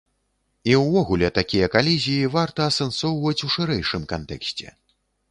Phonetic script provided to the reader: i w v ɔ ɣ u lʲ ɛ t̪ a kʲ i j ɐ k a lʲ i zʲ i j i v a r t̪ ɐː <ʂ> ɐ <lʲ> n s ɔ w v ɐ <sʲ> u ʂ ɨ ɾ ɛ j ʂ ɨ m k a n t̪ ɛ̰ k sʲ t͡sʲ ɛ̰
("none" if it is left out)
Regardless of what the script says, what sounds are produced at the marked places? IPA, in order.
s, none, t͡sʲ

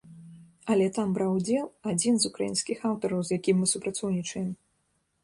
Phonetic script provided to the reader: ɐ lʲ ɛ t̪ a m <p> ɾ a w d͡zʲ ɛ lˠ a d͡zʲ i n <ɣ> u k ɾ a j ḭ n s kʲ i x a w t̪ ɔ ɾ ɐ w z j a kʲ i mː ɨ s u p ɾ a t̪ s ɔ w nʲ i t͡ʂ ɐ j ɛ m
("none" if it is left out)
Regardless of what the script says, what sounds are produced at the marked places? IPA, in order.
b, z

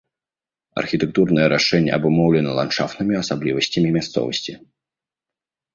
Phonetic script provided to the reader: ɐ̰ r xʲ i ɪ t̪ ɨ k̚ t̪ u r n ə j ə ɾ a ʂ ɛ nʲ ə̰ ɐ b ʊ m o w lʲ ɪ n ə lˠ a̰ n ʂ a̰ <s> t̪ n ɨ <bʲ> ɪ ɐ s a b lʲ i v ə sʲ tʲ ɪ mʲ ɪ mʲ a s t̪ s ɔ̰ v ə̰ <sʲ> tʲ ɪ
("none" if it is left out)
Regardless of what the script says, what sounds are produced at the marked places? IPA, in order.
f, mʲ, sʲ

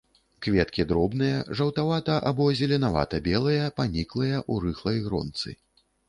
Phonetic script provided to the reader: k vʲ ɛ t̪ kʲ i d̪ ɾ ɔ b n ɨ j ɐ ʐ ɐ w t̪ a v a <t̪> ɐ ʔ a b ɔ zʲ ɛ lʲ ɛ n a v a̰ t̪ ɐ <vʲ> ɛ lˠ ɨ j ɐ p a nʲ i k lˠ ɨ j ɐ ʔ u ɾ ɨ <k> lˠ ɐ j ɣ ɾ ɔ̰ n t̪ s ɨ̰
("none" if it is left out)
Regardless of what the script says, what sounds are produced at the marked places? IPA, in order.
t̪, bʲ, x

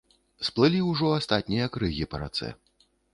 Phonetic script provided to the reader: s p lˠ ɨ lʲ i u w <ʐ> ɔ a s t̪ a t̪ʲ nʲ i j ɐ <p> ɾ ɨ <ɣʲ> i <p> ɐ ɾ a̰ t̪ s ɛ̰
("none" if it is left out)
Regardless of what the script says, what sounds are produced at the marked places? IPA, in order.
ʐ, k, ɣʲ, p

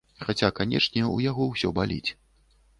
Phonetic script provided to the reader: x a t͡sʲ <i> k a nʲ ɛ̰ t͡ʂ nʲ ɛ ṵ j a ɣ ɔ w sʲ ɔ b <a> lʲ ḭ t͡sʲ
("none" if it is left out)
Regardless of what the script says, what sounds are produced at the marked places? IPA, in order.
a, a

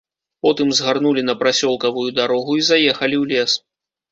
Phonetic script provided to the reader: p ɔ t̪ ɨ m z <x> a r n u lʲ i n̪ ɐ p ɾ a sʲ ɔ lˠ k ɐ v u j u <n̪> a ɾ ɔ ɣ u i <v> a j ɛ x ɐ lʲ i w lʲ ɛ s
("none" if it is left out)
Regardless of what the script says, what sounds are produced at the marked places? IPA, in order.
ɣ, d̪, z

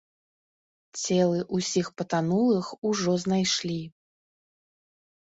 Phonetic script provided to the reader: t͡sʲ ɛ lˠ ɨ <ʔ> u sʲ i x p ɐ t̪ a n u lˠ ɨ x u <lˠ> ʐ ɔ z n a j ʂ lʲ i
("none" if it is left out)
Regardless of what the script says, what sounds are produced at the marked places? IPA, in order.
ʔ, none

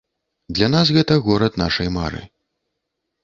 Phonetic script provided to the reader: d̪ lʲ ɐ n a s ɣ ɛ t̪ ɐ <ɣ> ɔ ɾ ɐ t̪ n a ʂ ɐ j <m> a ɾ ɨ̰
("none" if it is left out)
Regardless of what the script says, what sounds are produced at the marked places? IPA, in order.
ɣ, m

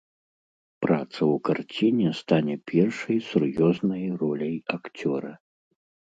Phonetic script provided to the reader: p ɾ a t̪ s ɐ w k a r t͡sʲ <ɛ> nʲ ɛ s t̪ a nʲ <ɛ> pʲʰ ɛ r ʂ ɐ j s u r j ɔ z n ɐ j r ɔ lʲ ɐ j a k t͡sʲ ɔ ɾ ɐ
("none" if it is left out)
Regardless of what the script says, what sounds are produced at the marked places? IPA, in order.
i, ɛ

